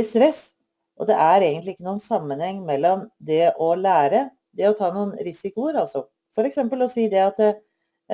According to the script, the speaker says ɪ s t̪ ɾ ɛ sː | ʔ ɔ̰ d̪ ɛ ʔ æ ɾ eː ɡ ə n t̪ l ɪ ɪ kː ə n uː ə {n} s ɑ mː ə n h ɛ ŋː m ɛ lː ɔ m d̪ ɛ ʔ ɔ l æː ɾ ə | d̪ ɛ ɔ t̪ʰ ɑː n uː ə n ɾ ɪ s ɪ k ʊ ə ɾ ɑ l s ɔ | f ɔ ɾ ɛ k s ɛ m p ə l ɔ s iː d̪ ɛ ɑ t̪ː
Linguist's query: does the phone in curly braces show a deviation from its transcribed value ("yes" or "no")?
no